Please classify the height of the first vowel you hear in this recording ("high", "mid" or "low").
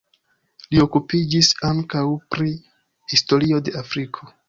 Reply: high